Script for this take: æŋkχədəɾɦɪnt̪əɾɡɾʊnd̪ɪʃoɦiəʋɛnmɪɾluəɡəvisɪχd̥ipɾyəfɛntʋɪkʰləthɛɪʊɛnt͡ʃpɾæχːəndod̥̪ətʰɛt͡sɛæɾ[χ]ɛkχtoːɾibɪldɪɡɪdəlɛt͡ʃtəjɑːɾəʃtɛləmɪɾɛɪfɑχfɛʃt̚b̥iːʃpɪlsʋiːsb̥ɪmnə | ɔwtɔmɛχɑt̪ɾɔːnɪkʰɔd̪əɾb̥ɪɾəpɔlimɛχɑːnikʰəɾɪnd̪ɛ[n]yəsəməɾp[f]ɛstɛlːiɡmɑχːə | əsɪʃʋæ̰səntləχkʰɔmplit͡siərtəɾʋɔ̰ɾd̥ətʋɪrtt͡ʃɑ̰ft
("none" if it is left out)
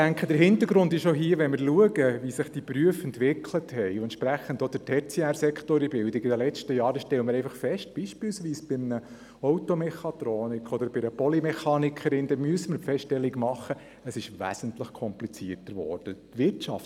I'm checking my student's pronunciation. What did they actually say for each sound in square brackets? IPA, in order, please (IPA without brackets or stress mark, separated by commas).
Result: s, m, f